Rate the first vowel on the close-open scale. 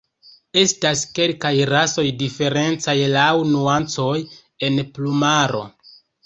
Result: mid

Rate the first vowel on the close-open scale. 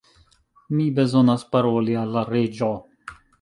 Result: close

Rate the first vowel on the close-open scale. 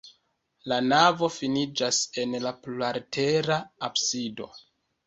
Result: open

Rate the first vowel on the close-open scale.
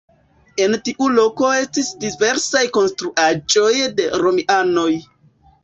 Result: mid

